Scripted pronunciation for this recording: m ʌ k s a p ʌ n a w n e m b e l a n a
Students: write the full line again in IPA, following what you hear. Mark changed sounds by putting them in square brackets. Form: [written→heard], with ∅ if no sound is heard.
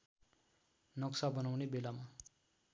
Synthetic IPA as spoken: [m→n] ʌ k s a [p→b] ʌ n a w n e [m→∅] b e l a [n→m] a